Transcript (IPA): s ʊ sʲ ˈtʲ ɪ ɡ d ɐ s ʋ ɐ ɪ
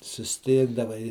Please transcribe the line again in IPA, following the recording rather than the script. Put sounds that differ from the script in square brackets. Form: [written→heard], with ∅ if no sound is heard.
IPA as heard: s ʊ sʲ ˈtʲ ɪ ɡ d ɐ [s→∅] ʋ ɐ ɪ